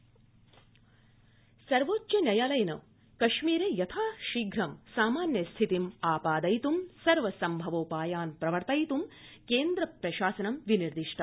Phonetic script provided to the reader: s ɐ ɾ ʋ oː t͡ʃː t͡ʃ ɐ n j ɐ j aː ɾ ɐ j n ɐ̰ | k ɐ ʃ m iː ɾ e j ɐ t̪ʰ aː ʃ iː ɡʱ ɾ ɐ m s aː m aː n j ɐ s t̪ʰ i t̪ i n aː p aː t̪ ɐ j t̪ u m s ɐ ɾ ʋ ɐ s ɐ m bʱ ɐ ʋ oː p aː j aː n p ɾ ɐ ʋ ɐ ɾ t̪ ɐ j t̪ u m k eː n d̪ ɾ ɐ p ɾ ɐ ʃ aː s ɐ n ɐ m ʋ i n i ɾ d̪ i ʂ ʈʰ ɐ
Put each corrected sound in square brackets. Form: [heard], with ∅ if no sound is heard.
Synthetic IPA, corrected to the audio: s ɐ ɾ ʋ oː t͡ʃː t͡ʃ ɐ n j ɐ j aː [l] ɐ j n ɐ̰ | k ɐ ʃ m iː ɾ e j ɐ t̪ʰ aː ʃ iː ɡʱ ɾ ɐ m s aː m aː n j ɐ s t̪ʰ i t̪ i [m] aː p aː [d̪] ɐ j t̪ u m s ɐ ɾ ʋ ɐ s ɐ m bʱ ɐ ʋ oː p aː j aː n p ɾ ɐ ʋ ɐ ɾ t̪ ɐ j t̪ u m k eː n d̪ ɾ ɐ p ɾ ɐ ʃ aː s ɐ n ɐ m ʋ i n i ɾ d̪ i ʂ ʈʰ ɐ